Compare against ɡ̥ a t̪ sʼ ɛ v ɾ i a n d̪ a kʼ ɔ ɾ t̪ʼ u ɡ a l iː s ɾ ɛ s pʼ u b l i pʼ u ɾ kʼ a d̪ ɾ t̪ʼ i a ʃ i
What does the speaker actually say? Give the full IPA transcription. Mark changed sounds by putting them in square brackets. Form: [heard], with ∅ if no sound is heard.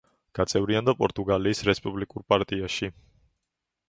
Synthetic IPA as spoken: ɡ̥ a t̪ sʼ ɛ v ɾ i a n d̪ a [pʼ] ɔ ɾ t̪ʼ u ɡ a l iː s ɾ ɛ s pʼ u b l i [kʼ] u ɾ [pʼ] a [∅] ɾ t̪ʼ i a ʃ i